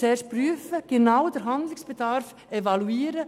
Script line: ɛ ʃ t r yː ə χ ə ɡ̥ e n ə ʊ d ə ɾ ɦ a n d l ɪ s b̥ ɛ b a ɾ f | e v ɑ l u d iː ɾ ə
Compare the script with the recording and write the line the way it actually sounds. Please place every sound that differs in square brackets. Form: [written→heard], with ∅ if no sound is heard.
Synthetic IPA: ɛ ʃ [t→p] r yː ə [χ→f] ə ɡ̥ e n [ə→a] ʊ d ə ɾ ɦ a n d l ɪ s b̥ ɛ [b→d] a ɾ f | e v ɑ l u [d→∅] iː ɾ ə